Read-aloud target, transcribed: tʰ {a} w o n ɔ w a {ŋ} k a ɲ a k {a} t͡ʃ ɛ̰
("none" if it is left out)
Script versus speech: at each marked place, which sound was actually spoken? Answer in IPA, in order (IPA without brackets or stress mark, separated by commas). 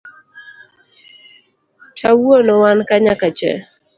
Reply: a, n, a